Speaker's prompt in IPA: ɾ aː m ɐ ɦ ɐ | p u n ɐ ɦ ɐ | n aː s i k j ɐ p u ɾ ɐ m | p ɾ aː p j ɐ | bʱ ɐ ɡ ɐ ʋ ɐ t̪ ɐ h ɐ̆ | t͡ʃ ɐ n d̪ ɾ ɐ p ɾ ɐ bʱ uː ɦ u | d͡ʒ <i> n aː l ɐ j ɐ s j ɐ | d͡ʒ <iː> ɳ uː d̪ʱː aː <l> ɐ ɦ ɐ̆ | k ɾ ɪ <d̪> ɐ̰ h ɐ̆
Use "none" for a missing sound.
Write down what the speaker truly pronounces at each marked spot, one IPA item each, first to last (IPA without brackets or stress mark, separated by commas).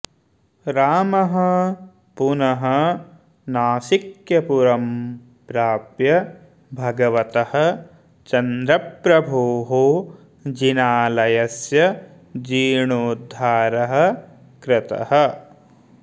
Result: i, iː, ɾ, t̪